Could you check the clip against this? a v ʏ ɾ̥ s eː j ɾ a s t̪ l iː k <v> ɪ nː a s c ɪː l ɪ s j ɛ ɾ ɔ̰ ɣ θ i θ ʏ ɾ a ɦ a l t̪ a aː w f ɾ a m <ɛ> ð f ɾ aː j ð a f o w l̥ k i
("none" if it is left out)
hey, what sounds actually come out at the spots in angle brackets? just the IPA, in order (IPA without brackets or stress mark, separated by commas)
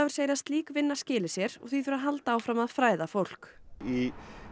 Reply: v, a